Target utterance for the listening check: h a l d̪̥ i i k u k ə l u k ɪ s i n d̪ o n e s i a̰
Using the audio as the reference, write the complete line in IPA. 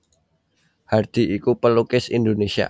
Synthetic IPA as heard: h a r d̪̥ i i k u p ə l u k ɪ s i n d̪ o n e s i a̰